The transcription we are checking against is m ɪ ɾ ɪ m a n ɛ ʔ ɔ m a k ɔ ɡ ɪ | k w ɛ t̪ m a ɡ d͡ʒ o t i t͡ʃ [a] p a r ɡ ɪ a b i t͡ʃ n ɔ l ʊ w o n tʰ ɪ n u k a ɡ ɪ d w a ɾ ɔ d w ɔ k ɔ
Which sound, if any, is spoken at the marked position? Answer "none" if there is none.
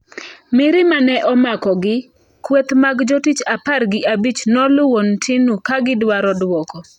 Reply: a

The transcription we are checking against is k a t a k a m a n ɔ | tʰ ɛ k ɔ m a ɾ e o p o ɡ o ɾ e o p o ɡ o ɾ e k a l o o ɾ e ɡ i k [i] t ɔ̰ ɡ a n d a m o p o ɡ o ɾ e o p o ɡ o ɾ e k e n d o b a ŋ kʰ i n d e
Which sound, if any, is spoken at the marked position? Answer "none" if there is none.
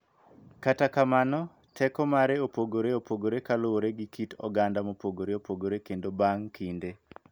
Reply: i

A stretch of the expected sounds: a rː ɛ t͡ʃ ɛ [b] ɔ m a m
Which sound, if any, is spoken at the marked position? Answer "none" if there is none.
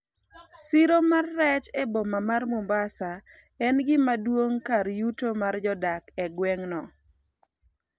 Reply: b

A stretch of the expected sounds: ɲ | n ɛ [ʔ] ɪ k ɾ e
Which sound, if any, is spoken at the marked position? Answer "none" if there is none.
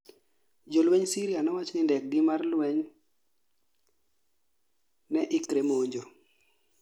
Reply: ʔ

